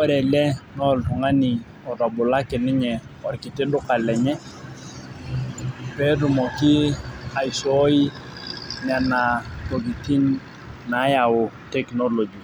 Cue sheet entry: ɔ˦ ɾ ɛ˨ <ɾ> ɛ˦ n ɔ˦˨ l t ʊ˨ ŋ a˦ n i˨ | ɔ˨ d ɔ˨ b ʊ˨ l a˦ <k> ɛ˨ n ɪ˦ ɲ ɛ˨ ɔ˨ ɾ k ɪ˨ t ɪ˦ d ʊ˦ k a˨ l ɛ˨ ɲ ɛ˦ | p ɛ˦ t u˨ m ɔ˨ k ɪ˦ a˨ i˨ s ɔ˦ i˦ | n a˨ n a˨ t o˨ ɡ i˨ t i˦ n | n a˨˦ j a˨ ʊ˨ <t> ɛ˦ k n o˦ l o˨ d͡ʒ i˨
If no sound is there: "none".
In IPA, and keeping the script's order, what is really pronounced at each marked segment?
l, k, t

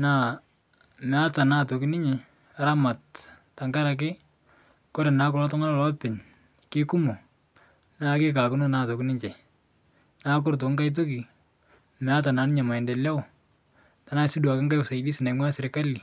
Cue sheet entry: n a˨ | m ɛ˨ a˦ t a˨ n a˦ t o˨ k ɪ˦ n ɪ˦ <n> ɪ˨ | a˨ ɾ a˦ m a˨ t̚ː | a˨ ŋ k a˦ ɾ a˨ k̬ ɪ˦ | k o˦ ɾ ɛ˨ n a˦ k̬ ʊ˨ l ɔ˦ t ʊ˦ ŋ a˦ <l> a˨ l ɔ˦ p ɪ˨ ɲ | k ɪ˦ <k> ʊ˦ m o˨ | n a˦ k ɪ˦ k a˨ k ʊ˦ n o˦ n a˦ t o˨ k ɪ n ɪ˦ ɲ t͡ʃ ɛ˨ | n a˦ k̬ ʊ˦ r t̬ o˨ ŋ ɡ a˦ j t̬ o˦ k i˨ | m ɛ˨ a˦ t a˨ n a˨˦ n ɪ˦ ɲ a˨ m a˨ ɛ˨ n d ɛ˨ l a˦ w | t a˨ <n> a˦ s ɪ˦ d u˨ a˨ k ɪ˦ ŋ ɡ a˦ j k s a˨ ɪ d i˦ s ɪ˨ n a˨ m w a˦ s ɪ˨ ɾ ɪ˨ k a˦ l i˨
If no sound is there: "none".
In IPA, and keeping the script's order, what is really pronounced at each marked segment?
ɲ, l, k, n

